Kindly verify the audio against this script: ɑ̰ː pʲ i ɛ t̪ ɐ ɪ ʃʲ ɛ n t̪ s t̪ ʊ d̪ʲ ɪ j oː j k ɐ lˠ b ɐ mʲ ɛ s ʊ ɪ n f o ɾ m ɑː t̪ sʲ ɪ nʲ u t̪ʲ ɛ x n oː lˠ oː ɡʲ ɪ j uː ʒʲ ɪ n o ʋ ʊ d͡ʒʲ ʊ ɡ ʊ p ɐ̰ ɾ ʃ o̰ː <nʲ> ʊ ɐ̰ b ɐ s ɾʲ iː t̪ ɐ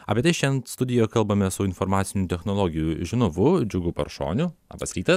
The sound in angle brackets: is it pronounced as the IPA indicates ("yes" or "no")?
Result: yes